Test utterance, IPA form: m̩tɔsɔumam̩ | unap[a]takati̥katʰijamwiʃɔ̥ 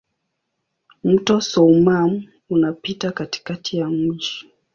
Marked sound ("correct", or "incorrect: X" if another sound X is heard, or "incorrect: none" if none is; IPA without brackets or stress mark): incorrect: i